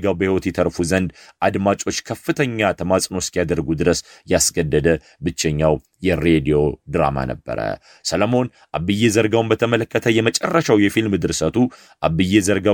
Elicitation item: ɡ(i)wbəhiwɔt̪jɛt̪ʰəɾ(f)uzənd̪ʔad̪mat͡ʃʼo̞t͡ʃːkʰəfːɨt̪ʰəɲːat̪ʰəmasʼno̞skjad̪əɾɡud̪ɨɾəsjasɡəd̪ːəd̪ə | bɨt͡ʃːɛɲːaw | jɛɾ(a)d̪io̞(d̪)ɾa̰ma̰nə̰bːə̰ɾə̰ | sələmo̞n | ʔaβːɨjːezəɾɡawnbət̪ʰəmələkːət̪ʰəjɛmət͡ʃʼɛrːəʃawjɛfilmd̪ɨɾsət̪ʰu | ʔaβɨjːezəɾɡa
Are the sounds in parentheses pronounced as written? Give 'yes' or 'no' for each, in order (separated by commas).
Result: no, yes, no, yes